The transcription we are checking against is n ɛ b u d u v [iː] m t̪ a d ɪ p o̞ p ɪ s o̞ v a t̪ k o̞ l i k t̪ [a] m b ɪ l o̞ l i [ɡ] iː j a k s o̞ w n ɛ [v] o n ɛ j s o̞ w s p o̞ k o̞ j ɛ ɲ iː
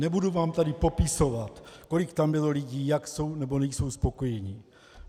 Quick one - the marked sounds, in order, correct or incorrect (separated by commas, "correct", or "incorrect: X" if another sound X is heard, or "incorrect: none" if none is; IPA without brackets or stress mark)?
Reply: incorrect: aː, correct, incorrect: ɟ, incorrect: b